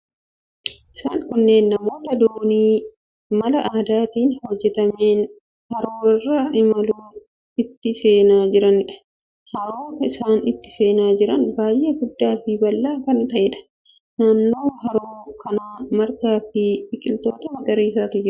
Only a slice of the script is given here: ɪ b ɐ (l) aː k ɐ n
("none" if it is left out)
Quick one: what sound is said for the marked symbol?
lː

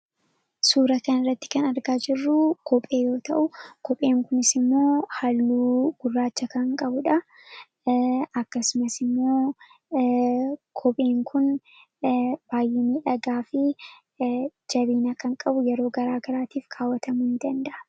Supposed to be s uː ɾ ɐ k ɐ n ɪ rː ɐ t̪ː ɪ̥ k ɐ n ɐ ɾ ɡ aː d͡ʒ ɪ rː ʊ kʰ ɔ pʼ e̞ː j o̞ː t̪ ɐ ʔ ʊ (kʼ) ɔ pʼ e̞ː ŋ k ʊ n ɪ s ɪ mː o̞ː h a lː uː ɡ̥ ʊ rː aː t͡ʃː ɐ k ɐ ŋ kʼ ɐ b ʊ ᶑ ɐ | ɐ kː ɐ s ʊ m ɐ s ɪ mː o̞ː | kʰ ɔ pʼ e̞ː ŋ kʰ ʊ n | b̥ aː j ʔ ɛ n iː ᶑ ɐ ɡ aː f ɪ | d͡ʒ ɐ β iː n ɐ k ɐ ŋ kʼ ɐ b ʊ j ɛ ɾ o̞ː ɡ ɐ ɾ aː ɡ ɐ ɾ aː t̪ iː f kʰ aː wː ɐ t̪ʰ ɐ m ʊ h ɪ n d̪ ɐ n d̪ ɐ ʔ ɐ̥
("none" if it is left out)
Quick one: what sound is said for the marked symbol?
k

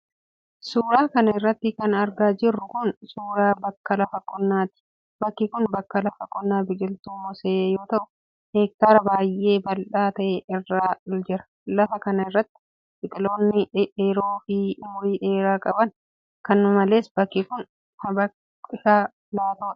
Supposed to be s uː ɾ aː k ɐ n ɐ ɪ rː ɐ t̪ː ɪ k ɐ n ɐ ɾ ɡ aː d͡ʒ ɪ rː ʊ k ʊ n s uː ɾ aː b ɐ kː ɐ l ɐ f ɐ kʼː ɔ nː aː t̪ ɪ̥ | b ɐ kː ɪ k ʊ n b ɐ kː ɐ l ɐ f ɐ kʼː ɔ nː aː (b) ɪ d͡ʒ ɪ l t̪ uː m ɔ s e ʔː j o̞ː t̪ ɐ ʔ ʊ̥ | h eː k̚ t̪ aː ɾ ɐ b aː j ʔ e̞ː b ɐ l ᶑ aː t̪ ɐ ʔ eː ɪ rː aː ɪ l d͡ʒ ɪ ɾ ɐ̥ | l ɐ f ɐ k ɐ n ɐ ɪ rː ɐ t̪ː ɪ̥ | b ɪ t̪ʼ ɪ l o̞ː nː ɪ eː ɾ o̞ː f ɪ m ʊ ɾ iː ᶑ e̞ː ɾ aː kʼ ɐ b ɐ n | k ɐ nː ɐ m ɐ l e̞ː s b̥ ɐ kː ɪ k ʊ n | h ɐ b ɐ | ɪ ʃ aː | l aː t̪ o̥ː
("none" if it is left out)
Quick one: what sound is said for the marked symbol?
b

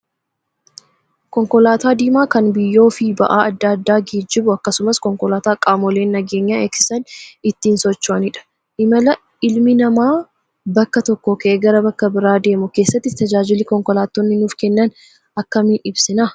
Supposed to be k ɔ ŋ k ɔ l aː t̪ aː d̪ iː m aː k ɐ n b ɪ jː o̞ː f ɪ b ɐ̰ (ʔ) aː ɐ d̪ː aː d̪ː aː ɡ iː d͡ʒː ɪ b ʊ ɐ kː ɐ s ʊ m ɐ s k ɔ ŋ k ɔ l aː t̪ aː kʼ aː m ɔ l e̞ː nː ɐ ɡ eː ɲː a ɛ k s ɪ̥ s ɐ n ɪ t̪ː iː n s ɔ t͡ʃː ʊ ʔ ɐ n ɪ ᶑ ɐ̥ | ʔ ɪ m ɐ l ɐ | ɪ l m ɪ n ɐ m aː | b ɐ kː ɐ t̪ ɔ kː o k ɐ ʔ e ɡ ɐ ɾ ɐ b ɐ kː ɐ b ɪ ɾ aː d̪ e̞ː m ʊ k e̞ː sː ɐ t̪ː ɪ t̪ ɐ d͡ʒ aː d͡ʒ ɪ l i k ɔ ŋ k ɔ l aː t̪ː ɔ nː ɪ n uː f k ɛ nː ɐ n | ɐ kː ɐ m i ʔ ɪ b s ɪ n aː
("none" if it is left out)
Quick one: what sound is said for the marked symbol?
ʔ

